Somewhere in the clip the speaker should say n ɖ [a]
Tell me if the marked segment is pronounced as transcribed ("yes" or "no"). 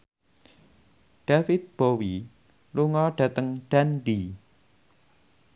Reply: no